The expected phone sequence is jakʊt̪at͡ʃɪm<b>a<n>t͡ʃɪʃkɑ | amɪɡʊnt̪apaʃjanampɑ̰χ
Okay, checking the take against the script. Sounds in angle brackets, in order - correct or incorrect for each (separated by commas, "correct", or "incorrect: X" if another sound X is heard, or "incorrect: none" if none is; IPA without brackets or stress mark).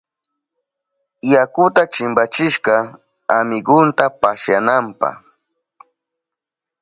correct, incorrect: none